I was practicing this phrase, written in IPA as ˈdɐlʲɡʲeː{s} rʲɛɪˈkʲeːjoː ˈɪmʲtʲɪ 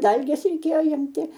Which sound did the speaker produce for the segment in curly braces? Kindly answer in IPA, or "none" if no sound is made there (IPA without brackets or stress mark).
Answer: s